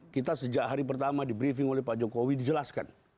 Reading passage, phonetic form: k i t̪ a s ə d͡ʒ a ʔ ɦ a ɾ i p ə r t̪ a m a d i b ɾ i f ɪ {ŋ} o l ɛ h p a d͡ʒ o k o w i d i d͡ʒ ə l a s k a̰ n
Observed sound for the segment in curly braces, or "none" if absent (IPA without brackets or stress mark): ŋ